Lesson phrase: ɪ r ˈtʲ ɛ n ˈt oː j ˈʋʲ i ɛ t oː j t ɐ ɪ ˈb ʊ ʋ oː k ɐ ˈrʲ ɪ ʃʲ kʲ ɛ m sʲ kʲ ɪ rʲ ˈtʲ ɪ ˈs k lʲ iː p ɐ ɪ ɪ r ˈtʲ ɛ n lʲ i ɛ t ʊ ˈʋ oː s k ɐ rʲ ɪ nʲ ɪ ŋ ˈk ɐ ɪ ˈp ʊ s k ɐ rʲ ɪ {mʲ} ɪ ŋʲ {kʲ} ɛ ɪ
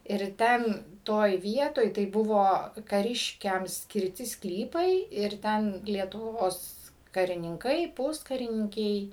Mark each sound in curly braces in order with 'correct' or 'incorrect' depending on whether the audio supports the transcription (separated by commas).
incorrect, correct